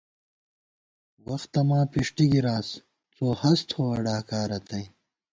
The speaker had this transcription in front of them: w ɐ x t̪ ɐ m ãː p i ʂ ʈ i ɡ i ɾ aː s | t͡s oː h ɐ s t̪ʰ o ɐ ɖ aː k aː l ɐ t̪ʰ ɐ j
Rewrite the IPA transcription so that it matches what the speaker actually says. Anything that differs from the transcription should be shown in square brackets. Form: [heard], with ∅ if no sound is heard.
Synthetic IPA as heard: w ɐ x t̪ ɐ m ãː p i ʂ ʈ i ɡ i ɾ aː s | t͡s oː h ɐ s t̪ʰ o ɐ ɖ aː k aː [ɾ] ɐ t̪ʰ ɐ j